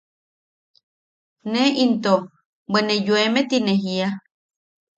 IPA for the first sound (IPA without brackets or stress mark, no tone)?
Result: n